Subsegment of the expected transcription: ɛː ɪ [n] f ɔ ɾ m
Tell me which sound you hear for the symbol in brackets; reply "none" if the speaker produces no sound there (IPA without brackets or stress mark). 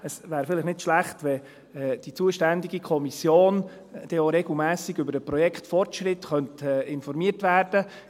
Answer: n